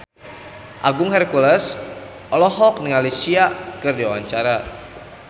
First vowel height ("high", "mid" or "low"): low